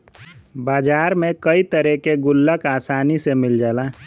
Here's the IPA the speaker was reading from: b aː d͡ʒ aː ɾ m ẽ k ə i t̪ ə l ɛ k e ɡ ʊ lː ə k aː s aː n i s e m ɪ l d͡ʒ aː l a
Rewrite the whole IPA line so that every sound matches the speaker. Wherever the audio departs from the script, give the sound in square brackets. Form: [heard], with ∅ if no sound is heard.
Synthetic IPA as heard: b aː d͡ʒ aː ɾ m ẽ k ə i t̪ ə [ɾ] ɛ k e ɡ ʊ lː ə k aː s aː n i s e m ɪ l d͡ʒ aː l a